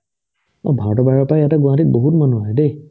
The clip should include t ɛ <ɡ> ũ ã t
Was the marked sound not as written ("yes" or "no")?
no